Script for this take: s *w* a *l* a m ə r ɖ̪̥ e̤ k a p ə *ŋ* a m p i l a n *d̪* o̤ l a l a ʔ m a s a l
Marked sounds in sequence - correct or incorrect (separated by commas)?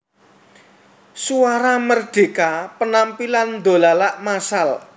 incorrect, incorrect, incorrect, correct